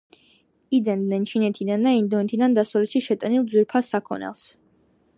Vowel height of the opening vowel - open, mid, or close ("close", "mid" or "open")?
close